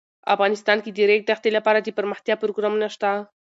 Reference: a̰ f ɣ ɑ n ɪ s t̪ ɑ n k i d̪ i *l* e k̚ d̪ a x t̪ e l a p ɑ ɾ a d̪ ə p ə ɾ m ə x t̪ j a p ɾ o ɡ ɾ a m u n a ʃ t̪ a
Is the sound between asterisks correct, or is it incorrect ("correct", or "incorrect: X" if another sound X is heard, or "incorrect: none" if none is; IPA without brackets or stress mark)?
incorrect: ɾ